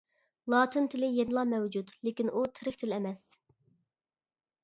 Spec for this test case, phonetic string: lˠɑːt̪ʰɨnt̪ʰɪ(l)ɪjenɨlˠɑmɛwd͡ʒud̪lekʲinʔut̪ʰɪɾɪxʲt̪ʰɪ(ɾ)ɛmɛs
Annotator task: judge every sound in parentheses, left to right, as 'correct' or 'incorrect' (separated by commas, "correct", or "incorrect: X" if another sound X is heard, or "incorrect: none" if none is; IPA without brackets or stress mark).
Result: correct, incorrect: l